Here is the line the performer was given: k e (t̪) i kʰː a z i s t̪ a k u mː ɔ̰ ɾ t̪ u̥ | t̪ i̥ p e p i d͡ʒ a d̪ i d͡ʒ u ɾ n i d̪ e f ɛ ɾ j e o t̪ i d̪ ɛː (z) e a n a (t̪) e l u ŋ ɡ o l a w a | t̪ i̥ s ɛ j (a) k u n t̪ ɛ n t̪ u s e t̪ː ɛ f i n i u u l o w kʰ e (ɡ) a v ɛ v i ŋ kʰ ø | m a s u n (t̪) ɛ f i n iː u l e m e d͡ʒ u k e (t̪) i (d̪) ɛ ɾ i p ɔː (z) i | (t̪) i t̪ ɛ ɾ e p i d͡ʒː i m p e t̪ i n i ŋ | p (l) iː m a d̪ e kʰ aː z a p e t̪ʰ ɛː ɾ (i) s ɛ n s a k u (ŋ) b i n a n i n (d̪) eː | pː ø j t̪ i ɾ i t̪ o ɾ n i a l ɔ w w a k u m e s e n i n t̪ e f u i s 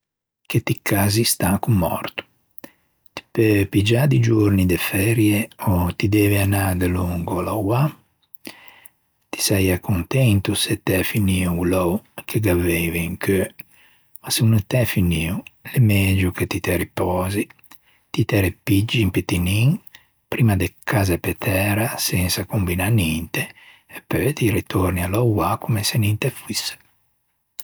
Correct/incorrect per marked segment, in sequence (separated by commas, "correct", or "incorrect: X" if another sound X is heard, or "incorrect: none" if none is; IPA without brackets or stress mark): correct, incorrect: v, incorrect: d̪, correct, correct, correct, correct, incorrect: t̪, correct, correct, incorrect: ɾ, incorrect: a, incorrect: m, incorrect: t̪